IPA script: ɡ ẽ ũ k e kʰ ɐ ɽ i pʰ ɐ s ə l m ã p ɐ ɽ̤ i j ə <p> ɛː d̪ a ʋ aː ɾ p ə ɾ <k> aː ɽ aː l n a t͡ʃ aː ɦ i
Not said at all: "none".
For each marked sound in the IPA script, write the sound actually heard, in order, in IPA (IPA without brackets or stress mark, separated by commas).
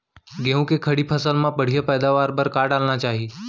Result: p, k